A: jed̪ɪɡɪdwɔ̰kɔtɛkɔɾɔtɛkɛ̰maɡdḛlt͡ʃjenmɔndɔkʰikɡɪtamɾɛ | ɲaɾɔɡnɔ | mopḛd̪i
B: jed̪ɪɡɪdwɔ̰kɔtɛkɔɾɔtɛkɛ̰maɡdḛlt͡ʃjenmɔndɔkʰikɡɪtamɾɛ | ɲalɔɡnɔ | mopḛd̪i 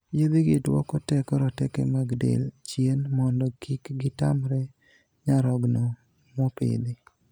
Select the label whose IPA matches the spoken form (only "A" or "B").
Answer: A